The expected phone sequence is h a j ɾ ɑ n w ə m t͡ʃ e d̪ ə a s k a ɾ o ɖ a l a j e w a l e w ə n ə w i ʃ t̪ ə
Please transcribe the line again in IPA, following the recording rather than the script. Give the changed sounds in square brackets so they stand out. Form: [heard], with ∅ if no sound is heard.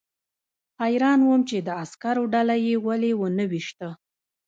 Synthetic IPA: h a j ɾ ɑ n w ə m t͡ʃ e d̪ ə a s k a ɾ o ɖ a l a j e w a l e w ə n ə w i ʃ t̪ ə